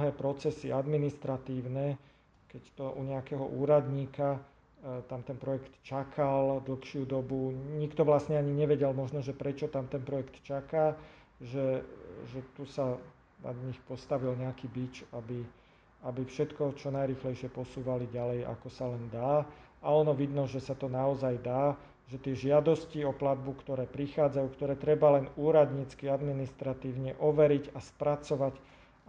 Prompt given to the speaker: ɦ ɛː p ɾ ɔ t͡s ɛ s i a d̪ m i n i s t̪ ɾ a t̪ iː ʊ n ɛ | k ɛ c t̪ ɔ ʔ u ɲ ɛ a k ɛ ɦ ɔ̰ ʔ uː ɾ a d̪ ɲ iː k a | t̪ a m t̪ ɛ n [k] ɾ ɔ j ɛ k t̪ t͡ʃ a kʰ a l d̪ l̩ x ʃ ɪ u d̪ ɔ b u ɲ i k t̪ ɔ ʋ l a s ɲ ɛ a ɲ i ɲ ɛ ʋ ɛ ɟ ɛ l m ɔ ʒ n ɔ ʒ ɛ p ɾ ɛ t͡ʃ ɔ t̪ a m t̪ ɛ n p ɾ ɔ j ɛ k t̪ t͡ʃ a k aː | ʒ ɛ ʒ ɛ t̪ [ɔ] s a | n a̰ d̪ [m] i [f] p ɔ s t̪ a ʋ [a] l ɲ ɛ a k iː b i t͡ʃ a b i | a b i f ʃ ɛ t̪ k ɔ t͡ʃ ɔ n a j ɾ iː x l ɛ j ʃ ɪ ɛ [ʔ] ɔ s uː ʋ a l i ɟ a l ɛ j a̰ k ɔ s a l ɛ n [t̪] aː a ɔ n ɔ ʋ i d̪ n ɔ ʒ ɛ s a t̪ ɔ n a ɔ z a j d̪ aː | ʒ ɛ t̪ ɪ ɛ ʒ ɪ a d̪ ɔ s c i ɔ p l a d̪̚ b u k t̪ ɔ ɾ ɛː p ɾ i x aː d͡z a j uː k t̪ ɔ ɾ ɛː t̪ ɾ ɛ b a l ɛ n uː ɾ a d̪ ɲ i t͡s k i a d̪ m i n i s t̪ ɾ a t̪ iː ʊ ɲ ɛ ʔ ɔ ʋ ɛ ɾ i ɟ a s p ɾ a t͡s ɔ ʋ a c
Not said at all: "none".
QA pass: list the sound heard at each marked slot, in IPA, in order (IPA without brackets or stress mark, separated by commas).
p, u, ɲ, x, i, p, d̪